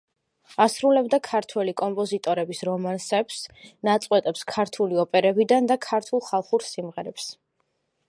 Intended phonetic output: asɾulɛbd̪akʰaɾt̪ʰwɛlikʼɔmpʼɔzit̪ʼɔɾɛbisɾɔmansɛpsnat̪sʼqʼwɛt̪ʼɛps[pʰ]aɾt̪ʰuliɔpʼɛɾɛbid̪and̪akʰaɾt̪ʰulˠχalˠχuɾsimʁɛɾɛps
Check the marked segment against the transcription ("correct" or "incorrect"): incorrect